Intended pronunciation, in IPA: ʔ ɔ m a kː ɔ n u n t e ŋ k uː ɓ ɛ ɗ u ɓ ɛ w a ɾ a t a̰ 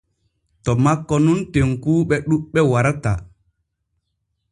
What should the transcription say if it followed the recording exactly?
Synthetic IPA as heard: t ɔ m a kː ɔ n u n t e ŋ k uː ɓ ɛ ɗ u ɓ ɛ w a ɾ a t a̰